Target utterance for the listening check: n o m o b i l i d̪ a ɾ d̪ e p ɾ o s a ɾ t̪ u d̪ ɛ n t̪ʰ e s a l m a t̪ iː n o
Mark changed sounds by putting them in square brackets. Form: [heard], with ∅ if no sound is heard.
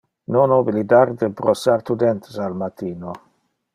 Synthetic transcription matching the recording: n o [n] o b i l i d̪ a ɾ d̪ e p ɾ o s a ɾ t̪ u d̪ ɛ n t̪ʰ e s a l m a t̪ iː n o